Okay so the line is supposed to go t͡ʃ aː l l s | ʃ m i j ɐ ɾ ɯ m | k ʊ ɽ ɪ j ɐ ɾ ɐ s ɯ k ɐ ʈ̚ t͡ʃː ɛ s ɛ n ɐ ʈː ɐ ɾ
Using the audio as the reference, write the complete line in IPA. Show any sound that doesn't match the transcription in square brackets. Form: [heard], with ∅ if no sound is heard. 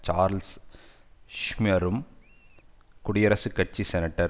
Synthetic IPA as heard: t͡ʃ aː [ɾ] l s | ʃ m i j ɐ ɾ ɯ m | k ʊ ɽ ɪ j ɐ ɾ ɐ s ɯ k ɐ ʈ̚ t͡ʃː [i] s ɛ n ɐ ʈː ɐ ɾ